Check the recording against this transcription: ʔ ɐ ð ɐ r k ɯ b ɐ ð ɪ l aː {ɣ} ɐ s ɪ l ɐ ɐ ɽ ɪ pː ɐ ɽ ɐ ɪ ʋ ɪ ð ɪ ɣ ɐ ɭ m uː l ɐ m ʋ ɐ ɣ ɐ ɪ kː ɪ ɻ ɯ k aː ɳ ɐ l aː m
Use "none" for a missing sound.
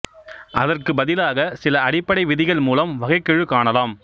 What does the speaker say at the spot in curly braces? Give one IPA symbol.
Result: ɣ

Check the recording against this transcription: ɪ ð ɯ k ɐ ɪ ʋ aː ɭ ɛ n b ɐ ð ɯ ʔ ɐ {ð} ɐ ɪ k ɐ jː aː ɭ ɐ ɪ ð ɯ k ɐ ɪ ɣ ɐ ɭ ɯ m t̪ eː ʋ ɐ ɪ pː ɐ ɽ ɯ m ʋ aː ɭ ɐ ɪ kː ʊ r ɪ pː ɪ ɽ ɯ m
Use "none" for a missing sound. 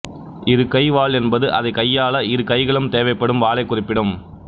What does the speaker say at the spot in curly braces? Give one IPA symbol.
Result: ð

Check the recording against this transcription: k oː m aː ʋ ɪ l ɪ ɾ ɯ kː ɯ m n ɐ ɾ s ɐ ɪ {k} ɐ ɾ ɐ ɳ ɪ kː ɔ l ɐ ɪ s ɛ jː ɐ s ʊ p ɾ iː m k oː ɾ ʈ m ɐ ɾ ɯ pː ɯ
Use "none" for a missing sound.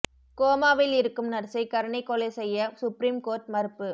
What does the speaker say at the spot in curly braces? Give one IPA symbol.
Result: k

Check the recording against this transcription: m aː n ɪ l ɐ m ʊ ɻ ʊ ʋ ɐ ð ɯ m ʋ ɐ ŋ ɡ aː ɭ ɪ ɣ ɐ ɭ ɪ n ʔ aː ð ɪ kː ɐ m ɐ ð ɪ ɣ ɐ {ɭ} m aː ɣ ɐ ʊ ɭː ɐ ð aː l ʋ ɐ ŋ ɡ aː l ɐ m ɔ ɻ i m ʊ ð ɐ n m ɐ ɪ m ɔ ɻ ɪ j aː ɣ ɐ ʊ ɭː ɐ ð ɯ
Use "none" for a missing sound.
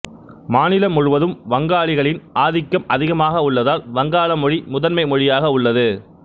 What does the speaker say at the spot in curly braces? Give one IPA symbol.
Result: none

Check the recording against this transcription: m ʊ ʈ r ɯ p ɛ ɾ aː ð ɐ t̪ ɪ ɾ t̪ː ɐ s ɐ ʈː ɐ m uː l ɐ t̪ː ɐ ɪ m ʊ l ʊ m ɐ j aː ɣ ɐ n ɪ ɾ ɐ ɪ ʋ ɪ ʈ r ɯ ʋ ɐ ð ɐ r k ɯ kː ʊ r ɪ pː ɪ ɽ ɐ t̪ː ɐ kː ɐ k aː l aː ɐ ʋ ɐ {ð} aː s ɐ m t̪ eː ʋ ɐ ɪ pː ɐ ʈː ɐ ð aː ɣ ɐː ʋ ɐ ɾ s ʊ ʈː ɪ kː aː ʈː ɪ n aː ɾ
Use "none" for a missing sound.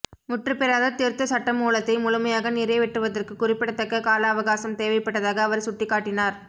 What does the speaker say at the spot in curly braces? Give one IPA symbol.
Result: ɣ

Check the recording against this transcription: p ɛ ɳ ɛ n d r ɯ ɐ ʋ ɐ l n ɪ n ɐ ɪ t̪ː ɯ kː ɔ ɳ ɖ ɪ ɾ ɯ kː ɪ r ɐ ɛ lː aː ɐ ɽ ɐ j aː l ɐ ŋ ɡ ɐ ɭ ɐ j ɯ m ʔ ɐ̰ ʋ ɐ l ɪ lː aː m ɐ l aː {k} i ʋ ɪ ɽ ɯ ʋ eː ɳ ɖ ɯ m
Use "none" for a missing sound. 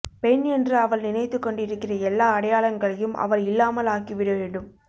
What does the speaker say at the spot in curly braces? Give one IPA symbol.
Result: k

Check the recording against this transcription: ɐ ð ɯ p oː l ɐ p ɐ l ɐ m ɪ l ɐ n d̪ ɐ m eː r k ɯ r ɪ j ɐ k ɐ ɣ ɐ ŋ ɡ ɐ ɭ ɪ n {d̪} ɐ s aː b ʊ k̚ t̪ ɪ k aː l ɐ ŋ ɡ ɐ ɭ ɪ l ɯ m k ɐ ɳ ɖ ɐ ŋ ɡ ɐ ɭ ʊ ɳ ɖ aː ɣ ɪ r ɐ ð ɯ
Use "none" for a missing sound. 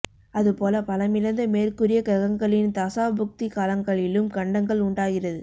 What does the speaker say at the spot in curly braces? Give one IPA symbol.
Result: t̪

